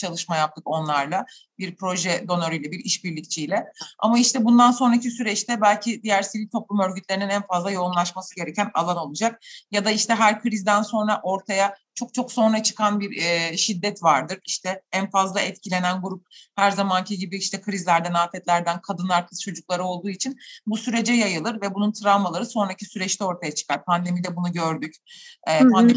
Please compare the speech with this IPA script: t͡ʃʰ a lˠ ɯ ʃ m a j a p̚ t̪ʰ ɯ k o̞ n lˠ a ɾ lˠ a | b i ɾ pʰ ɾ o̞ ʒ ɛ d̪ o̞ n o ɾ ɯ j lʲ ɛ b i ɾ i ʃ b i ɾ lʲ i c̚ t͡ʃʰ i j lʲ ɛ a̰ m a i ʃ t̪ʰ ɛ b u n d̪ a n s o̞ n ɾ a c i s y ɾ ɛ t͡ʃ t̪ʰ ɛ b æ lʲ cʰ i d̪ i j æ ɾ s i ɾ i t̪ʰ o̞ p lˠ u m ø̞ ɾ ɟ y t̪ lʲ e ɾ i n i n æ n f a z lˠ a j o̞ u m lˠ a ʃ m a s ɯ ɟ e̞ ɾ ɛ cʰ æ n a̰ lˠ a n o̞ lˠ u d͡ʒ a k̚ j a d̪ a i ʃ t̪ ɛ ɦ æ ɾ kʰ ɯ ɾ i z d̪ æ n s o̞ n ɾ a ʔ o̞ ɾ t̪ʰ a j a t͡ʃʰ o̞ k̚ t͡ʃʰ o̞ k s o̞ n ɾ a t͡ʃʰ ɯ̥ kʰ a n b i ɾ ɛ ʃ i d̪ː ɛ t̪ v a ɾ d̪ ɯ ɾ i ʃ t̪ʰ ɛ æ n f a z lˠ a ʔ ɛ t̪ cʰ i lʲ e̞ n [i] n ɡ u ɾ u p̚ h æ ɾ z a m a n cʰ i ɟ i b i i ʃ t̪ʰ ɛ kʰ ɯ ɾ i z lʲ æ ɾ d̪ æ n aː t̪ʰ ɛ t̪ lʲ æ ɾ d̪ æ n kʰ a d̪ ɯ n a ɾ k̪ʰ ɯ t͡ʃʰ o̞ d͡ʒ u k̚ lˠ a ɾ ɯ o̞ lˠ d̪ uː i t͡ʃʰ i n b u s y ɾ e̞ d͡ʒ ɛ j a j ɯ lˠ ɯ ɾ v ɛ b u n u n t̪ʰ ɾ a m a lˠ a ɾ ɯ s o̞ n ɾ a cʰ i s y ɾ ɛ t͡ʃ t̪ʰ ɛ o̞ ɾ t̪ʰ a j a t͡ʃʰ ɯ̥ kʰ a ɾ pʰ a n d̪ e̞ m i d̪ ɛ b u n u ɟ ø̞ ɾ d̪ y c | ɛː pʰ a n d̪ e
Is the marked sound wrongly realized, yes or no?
yes